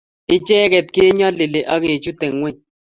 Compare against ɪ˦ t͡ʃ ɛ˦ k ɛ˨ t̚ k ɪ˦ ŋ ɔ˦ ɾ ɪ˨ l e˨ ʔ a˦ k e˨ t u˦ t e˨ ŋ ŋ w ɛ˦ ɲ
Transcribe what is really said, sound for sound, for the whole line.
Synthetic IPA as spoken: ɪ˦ t͡ʃ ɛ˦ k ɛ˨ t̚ k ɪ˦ ɲ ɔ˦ l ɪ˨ l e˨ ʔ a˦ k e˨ t͡ʃ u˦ t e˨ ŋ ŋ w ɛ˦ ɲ

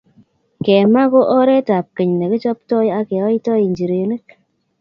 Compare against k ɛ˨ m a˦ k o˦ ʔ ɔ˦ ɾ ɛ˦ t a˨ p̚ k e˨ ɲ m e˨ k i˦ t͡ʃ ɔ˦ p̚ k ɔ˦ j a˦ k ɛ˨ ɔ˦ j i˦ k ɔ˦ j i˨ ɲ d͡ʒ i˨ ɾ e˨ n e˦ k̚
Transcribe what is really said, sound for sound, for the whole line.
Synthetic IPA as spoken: k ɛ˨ m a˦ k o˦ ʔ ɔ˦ ɾ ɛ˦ t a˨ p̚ k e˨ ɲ n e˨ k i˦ t͡ʃ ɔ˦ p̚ t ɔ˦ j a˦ k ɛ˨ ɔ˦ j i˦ t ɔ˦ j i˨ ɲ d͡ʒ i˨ ɾ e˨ n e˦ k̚

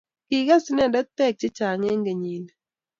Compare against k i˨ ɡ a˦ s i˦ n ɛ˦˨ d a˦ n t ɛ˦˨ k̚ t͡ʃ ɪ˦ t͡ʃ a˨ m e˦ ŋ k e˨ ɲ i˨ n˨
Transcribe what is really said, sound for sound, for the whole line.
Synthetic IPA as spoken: k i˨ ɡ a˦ s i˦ n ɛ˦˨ d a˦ t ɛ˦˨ k̚ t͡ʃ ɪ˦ t͡ʃ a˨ ŋ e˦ ŋ ɡ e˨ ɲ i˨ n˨

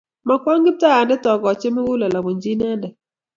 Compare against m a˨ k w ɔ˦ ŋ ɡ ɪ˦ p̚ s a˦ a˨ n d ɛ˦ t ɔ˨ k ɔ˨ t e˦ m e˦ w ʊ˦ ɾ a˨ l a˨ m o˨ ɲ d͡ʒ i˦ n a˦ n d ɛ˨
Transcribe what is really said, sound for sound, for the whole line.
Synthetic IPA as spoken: m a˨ k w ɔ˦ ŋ ɡ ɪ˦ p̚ t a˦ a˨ n d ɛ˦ t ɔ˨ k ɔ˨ t͡ʃ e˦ m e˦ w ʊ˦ l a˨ l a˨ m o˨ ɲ d͡ʒ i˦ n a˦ n d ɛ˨

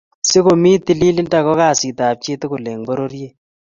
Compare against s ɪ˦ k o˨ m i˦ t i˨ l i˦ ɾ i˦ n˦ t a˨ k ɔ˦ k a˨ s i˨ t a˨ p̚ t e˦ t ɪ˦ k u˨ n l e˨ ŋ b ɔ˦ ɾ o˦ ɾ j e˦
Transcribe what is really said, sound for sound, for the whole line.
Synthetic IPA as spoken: s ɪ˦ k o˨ m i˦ t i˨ l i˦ l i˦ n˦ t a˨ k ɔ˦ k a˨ s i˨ t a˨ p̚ t͡ʃ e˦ t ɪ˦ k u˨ l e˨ ŋ b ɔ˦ ɾ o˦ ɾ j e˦

